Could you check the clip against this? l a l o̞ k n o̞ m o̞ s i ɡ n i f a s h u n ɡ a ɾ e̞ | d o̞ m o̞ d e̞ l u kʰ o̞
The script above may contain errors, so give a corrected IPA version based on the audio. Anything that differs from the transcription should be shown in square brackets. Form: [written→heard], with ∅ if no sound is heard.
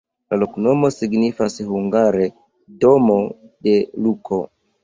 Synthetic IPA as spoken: l a l o̞ k n o̞ m o̞ s i ɡ n i f a s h u [n→ŋ] ɡ a ɾ e̞ | d o̞ m o̞ d e̞ l u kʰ o̞

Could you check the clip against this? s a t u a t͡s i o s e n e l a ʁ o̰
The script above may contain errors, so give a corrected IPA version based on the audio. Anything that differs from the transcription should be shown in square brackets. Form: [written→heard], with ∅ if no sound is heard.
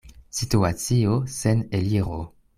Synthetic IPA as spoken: s [a→i] t u a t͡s i o s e n e l [a→i] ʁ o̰

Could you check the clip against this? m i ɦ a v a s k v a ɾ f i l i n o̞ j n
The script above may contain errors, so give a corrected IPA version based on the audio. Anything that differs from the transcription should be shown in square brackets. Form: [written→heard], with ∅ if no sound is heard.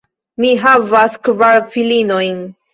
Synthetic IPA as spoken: m i ɦ a v a s k v a ɾ f i l i n o̞ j n

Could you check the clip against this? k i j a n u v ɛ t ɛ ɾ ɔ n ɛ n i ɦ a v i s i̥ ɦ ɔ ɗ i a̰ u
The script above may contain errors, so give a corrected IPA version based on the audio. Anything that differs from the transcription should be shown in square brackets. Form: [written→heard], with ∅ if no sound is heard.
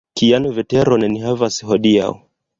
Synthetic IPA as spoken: k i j a n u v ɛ t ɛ ɾ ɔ n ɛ n i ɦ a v [i→a] s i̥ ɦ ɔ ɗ i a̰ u

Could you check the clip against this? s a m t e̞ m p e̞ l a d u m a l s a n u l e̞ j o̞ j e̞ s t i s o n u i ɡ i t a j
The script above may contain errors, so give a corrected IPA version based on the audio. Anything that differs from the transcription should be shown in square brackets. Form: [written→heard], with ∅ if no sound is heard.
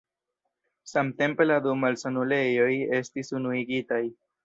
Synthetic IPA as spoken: s a m t e̞ m p e̞ l a d u m a l s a n u l e̞ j o̞ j e̞ s t i s [o→u] n u i ɡ i t a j

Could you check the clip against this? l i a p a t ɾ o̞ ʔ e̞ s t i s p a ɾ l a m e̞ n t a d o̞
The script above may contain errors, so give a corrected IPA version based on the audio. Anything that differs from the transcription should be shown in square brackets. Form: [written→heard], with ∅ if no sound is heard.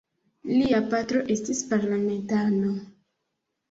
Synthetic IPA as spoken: l i a p a t ɾ o̞ ʔ e̞ s t i s p a ɾ l a m e̞ n t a [d→n] o̞

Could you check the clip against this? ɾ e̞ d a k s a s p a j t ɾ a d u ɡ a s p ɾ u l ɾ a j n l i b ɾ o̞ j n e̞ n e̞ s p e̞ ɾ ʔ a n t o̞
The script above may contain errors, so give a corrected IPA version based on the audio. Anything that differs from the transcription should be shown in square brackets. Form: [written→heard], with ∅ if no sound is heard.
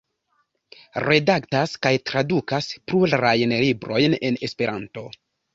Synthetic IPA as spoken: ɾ e̞ d a k [s→t] a s [p→k] a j t ɾ a d u [ɡ→k] a s p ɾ u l ɾ a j n l i b ɾ o̞ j n e̞ n e̞ s p e̞ ɾ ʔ a n t o̞

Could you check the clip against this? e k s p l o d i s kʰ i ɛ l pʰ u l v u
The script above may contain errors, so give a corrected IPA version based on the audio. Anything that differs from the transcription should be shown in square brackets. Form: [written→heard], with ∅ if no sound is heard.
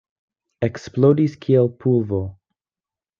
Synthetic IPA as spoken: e k s p l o d i s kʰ i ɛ l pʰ u l v [u→o]

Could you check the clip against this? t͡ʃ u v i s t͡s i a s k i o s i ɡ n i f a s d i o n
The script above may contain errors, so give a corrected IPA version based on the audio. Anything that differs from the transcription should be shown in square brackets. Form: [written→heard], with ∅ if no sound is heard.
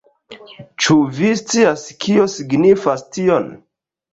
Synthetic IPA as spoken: t͡ʃ u v i s t͡s i a s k i o s i ɡ n i f a s [d→t] i o n

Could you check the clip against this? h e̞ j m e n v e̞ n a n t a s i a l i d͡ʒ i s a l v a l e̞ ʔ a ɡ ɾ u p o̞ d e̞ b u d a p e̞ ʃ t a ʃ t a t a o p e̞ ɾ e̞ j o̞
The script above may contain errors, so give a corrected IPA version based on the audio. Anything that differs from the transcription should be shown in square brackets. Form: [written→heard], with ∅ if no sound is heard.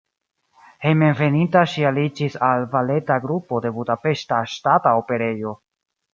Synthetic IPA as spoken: h e̞ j m e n v e̞ n [a→i] n t a [s→ʃ] i a l i d͡ʒ i s a l v a l e̞ [ʔ→t] a ɡ ɾ u p o̞ d e̞ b u d a p e̞ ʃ t a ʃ t a t a o p e̞ ɾ e̞ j o̞

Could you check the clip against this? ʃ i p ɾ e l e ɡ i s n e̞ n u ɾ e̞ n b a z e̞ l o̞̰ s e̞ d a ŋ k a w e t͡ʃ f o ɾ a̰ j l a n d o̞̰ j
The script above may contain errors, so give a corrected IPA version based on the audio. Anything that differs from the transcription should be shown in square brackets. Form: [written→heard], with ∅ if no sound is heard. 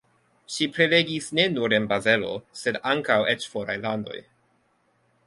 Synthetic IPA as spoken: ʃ i p ɾ e l e ɡ i s n e̞ n u ɾ e̞ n b a z e̞ l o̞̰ s e̞ d a ŋ k a w e t͡ʃ f o ɾ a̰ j l a n d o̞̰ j

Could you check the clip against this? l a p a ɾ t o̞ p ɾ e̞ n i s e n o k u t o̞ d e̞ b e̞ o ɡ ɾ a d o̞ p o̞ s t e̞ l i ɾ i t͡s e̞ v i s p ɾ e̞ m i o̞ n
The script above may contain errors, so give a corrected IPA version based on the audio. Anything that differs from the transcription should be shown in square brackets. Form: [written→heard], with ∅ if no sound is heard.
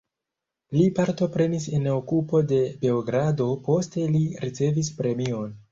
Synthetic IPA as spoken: l [a→i] p a ɾ t o̞ p ɾ e̞ n i s e n o k u [t→p] o̞ d e̞ b e̞ o ɡ ɾ a d o̞ p o̞ s t e̞ l i ɾ i t͡s e̞ v i s p ɾ e̞ m i o̞ n

